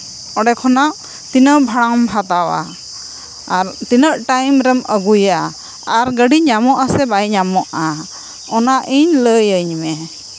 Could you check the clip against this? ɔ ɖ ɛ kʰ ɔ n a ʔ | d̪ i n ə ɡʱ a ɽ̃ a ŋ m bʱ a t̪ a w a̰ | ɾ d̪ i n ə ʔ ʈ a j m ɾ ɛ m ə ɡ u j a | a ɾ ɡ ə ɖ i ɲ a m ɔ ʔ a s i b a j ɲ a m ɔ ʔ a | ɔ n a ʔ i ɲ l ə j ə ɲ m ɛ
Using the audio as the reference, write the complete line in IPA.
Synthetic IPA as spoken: ɔ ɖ ɛ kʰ ɔ n a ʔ | t̪ i n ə bʱ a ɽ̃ a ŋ m bʱ a t̪ a w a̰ | ɾ t̪ i n ə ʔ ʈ a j m ɾ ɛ m ə ɡ u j a | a ɾ ɡ ə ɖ i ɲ a m ɔ ʔ a s ɛ b a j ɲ a m ɔ ʔ a | ɔ n a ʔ i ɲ l ə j ə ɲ m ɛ